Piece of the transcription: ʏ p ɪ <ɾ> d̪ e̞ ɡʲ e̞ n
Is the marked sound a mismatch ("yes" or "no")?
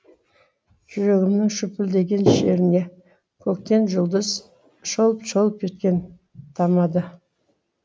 yes